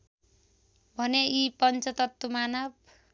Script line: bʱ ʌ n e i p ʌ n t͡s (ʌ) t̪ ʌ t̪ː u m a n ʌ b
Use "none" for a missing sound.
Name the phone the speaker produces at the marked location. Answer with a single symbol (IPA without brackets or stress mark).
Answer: ʌ